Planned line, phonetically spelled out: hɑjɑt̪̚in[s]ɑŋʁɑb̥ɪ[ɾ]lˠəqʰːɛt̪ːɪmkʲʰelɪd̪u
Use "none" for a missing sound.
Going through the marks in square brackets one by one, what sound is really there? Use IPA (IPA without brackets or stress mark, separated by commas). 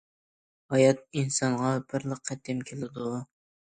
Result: s, ɾ